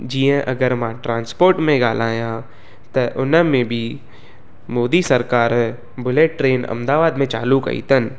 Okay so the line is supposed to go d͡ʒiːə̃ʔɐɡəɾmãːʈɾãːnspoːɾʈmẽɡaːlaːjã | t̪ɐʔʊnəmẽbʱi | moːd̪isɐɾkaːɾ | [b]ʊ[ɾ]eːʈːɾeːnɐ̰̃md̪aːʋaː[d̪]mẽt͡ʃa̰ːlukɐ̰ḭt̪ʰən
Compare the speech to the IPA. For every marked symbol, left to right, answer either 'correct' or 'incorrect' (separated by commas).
correct, incorrect, correct